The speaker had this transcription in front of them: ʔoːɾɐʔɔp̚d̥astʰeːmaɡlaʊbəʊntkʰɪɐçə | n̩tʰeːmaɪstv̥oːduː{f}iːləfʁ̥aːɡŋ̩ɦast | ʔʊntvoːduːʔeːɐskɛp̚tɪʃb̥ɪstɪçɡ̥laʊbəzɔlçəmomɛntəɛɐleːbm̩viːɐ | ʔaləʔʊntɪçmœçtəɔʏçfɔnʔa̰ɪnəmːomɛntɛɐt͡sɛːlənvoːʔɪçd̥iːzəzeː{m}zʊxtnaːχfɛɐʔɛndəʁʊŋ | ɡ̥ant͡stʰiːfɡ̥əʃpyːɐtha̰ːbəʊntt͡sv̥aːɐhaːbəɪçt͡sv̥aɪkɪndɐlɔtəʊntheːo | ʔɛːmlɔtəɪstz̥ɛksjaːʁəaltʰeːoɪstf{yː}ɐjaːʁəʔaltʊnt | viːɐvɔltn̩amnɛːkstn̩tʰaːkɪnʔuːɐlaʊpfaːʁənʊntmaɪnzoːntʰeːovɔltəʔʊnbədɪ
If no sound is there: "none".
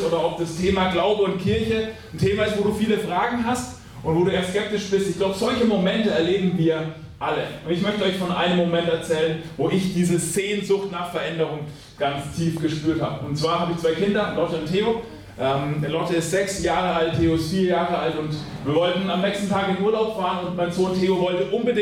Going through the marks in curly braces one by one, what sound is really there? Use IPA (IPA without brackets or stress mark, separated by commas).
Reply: f, n, iː